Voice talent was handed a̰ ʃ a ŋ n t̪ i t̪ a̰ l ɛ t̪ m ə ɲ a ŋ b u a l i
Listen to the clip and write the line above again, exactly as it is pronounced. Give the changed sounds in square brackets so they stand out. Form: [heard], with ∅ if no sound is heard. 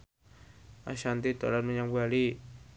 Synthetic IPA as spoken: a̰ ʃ a [∅] n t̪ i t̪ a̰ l [a] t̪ m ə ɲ a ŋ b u a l i

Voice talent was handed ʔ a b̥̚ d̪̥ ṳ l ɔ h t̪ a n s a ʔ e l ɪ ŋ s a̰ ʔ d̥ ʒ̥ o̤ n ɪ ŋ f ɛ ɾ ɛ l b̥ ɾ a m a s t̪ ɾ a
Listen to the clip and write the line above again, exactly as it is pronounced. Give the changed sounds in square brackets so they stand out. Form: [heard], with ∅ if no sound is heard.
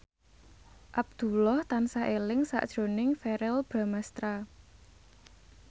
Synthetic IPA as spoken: ʔ a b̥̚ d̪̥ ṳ l ɔ h t̪ a n s a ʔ e l ɪ ŋ s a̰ ʔ d̥ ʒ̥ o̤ n ɪ ŋ f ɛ ɾ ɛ l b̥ ɾ a m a s t̪ ɾ a

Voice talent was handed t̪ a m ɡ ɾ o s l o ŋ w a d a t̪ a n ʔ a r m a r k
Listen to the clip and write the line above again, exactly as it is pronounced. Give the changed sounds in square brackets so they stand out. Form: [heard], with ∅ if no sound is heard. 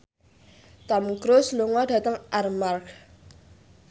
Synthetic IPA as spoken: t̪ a m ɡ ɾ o s l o ŋ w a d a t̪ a [ŋ] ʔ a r m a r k

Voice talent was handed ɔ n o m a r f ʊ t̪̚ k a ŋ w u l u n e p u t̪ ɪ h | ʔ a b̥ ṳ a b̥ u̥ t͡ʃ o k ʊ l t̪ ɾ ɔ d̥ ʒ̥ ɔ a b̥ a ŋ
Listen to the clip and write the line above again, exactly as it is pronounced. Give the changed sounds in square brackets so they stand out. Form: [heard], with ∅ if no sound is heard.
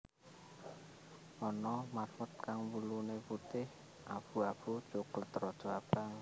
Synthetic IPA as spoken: ɔ n [ɔ] m a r f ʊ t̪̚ k a ŋ w u l u n e p u t̪ ɪ h | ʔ a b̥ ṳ a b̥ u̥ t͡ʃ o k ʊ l t̪ ɾ ɔ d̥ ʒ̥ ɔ a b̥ a ŋ

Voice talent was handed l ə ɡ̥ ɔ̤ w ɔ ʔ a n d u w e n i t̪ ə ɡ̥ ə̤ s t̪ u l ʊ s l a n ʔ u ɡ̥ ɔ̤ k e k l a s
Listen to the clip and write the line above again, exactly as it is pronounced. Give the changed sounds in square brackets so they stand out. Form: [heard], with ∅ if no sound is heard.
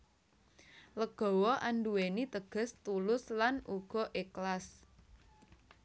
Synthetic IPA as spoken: l ə ɡ̥ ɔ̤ w ɔ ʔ a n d u w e n i t̪ ə ɡ̥ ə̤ s t̪ u l ʊ s l a n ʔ u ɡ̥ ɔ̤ [ʔ] e k l a s

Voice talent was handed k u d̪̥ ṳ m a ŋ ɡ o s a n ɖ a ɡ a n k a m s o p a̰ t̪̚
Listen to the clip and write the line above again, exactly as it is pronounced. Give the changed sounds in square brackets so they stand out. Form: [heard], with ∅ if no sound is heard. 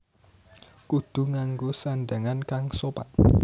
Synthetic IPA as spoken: k u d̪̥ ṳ [ŋ] a ŋ ɡ o s a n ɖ a [ŋ] a n k a [ŋ] s o p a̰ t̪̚

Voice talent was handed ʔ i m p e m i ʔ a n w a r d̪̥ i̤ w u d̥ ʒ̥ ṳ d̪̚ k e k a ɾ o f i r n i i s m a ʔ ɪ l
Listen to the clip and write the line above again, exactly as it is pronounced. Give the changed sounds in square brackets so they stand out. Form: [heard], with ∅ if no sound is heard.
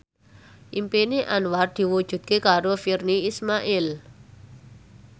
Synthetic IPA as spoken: ʔ i m p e [n] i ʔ a n w a r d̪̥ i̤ w u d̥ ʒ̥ ṳ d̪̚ k e k a ɾ o f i r n i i s m a ʔ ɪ l

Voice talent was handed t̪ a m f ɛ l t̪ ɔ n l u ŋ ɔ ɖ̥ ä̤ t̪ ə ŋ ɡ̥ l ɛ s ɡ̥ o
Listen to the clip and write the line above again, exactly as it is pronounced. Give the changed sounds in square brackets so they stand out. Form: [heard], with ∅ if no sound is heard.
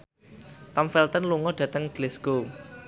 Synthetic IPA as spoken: t̪ a m f ɛ l t̪ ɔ n l u ŋ ɔ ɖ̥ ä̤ t̪ ə ŋ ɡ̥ l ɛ s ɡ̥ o

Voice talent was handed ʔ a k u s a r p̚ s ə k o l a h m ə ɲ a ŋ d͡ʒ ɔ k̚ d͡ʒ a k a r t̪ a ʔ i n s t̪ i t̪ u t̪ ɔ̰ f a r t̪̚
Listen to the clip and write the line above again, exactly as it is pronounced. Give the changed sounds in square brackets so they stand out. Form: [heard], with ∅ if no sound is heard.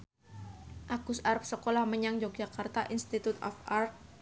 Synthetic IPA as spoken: ʔ a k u s a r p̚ s ə k o l a h m ə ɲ a ŋ d͡ʒ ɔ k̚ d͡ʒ a k a r t̪ a ʔ i n s t̪ i t̪ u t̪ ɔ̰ f a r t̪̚

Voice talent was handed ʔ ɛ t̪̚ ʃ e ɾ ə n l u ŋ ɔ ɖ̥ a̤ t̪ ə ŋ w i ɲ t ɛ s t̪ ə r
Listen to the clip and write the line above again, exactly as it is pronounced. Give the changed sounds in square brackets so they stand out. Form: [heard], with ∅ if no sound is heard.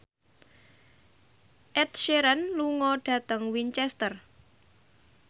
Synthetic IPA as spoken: ʔ ɛ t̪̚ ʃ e ɾ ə n l u ŋ ɔ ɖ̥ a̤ t̪ ə ŋ w i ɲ [t͡ʃ] ɛ s t̪ ə r

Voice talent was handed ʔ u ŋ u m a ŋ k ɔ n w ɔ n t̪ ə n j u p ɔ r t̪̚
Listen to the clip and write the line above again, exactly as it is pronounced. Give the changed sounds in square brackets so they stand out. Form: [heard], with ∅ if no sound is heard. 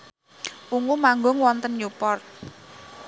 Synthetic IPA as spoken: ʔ u ŋ u m a ŋ [ɡ] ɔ [ŋ] w ɔ n t̪ ə n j u p ɔ r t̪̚

